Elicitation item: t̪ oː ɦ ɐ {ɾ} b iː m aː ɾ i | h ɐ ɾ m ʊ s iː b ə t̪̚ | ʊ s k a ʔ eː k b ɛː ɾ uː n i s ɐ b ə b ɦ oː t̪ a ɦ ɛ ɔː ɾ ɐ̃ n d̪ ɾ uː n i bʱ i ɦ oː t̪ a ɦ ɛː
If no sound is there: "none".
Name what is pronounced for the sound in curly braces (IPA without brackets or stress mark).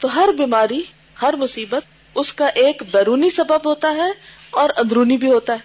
ɾ